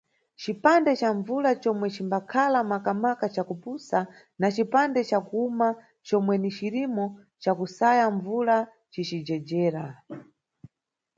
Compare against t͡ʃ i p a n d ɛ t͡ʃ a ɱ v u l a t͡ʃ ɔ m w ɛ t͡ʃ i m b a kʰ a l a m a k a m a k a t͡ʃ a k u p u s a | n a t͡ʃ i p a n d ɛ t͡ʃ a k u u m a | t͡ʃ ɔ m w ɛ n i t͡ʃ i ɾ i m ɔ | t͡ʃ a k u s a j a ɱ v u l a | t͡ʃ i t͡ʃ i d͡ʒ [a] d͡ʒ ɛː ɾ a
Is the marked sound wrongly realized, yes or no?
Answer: yes